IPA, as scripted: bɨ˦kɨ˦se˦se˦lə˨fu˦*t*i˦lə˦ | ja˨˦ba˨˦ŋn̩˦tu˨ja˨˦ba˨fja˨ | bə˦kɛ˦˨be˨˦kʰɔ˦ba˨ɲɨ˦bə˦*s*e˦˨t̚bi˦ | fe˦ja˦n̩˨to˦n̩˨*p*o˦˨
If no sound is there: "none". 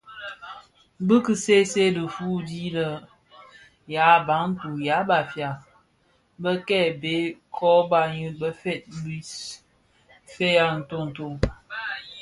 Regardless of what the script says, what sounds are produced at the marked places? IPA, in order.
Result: d, f, t

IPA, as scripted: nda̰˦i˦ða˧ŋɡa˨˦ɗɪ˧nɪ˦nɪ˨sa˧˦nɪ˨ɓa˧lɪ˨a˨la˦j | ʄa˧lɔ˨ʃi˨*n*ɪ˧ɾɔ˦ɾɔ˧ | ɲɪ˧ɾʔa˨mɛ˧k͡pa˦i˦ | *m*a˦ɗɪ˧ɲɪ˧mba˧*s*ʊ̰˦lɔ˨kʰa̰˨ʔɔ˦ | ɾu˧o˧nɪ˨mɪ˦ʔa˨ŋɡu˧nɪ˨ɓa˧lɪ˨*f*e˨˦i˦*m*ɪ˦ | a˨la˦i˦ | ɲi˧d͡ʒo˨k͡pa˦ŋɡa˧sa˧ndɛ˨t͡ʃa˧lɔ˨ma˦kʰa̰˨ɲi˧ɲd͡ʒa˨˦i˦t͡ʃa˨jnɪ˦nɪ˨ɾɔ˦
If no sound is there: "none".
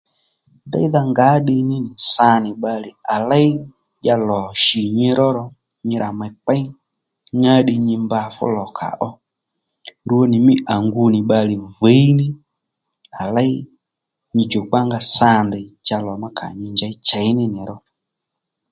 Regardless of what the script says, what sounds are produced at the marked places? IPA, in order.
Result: ɲ, ɲ, f, v, n

